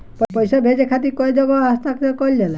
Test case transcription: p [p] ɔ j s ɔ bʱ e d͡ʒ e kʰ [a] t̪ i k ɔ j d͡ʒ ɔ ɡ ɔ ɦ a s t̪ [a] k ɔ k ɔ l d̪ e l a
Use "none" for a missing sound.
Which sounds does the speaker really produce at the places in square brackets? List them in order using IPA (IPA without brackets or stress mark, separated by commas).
p, a, a